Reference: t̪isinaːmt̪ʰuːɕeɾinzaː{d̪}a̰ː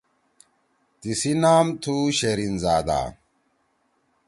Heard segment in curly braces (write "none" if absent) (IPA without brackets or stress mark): d̪